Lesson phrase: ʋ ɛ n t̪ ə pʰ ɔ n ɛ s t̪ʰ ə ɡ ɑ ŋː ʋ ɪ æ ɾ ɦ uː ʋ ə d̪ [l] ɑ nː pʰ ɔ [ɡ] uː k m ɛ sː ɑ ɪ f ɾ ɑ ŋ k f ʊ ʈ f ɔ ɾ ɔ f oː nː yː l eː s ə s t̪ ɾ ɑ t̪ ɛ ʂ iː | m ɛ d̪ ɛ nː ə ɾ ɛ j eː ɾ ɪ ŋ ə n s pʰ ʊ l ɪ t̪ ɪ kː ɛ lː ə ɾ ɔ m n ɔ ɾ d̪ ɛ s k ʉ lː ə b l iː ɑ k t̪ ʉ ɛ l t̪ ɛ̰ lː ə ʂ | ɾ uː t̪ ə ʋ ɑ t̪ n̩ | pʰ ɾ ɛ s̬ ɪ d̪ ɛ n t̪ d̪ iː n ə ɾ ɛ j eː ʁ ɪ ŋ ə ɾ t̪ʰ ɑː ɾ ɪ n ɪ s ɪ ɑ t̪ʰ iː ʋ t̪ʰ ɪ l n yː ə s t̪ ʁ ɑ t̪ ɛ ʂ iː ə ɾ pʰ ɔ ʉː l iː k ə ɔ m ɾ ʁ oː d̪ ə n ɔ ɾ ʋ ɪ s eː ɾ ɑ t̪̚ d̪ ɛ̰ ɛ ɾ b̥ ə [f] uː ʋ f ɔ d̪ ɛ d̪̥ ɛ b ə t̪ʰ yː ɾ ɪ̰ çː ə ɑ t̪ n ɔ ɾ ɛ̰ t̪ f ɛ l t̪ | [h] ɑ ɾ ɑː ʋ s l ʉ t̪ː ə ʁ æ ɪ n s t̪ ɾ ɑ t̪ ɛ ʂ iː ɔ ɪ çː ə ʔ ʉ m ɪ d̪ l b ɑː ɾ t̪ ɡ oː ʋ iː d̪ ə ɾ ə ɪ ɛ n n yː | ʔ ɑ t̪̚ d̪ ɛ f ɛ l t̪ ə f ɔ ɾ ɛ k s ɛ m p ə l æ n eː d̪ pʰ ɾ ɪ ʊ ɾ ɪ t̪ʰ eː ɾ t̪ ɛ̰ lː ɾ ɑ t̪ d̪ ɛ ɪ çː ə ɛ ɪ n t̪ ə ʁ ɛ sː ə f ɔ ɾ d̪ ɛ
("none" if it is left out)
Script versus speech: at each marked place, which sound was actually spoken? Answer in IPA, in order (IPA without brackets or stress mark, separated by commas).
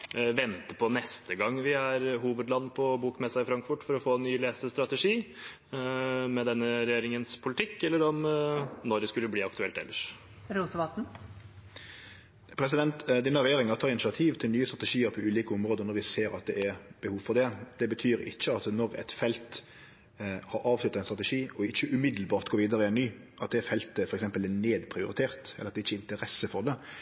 l, b, h, h